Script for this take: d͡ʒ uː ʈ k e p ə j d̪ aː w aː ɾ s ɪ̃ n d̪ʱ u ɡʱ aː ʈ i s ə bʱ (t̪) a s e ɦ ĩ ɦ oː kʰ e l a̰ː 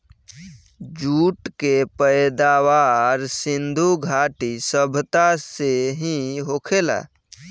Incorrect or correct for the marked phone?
correct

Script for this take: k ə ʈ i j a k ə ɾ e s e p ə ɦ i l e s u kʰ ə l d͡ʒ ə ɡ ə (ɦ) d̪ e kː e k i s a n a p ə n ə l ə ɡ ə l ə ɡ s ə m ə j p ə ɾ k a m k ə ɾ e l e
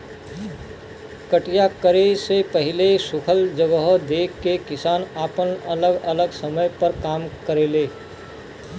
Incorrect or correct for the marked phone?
correct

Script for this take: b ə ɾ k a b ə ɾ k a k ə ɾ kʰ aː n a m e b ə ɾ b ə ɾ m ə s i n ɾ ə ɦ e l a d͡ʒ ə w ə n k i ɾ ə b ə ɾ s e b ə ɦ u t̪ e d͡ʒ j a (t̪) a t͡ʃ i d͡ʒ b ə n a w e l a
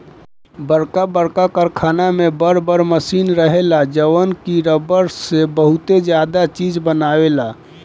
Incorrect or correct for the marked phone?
incorrect: d̪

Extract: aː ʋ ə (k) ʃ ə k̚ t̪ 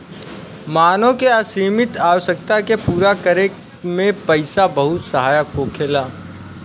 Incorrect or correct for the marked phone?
incorrect: none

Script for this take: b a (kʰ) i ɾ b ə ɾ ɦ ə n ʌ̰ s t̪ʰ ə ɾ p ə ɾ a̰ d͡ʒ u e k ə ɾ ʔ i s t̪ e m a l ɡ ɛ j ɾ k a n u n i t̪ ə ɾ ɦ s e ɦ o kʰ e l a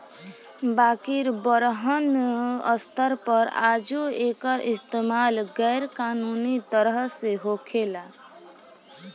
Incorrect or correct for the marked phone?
incorrect: k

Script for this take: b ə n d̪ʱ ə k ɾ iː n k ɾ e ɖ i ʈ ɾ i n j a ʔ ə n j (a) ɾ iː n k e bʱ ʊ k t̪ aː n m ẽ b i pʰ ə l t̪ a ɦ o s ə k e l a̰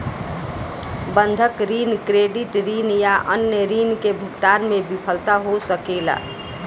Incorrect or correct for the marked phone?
incorrect: ə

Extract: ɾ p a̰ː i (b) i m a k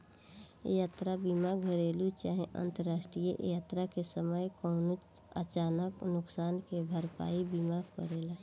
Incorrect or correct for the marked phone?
correct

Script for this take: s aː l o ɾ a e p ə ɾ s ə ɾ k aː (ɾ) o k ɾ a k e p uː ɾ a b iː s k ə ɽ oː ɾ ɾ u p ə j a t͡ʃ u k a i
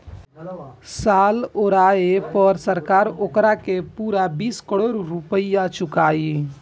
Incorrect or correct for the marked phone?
correct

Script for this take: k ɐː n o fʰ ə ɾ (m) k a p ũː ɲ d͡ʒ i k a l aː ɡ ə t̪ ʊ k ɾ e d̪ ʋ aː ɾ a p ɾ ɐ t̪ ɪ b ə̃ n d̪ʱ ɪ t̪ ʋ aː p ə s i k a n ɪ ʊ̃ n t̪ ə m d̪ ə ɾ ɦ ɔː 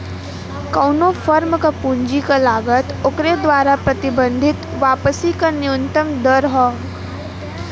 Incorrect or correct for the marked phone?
correct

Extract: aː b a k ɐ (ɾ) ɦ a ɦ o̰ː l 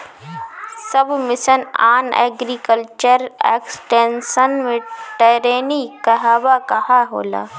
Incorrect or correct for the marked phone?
incorrect: none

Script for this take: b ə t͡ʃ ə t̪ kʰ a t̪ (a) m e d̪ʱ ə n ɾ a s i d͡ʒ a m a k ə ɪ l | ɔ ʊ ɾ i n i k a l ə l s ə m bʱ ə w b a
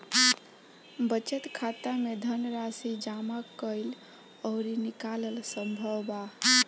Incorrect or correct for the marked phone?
correct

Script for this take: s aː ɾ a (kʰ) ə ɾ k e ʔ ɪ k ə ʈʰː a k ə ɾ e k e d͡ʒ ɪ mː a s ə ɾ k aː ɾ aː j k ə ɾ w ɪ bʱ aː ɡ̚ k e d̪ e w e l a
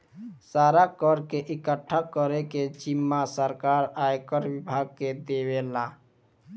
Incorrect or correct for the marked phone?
incorrect: k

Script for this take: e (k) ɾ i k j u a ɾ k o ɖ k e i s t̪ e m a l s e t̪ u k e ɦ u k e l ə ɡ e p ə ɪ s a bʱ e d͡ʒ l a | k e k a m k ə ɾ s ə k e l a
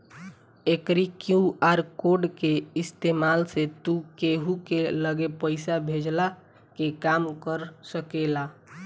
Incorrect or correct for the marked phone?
correct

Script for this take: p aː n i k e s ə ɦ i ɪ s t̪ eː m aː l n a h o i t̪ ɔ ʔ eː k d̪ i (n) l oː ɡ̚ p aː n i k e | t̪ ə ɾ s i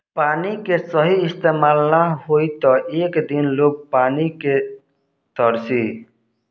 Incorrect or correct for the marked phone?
correct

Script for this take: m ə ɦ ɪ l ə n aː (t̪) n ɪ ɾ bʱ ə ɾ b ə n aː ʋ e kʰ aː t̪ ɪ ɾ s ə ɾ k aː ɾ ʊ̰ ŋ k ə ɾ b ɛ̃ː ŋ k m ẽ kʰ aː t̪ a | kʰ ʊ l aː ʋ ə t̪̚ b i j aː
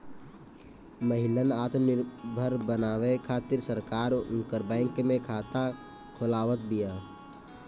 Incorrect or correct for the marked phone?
correct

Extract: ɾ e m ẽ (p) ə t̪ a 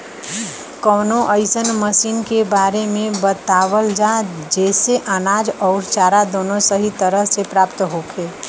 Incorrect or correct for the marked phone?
incorrect: b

